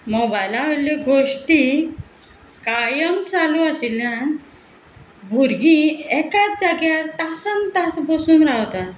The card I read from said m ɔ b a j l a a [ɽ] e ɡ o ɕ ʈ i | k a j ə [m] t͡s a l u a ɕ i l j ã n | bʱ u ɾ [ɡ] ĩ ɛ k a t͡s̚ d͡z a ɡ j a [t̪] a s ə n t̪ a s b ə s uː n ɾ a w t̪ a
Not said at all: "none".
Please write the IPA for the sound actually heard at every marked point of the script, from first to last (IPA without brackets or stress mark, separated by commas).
l, m, ɡ, t̪